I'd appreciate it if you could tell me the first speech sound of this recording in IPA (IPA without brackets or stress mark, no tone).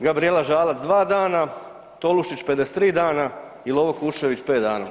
ɡ